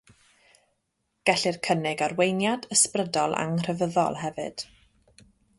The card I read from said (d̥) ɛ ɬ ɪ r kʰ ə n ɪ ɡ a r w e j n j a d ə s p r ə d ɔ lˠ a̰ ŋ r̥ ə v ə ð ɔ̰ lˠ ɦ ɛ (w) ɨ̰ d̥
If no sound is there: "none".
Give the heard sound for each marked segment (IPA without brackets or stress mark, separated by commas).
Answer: ɡ̥, v